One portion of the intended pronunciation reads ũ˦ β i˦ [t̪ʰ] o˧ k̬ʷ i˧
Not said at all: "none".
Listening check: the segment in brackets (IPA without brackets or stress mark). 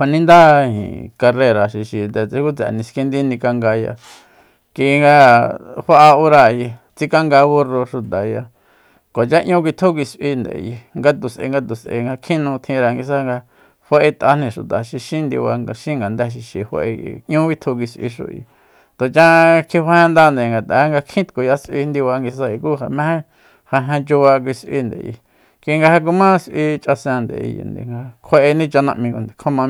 t̪ʰ